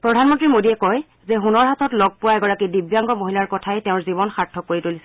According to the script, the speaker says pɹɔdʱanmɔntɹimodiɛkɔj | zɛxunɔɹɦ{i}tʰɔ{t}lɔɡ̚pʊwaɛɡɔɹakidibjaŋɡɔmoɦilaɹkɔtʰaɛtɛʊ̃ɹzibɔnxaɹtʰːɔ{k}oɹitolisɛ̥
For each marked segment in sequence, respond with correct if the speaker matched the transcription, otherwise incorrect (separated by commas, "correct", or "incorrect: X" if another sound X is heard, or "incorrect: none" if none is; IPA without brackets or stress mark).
incorrect: a, correct, correct